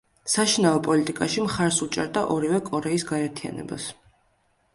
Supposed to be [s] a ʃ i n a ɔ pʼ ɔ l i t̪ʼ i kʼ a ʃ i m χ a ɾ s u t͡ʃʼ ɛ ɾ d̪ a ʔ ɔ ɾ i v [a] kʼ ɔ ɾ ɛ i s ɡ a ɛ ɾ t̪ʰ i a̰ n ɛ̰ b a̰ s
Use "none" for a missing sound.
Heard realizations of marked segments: s, ɛ

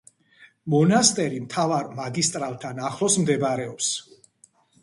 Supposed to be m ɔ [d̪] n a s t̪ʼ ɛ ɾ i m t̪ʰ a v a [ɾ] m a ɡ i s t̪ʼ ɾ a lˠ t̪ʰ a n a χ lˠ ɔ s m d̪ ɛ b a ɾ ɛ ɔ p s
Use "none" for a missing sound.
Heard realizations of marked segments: none, ɾ

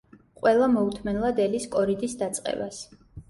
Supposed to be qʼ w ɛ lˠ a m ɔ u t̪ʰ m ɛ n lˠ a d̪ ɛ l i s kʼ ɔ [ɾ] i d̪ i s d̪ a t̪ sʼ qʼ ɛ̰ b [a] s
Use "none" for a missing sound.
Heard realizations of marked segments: ɾ, a

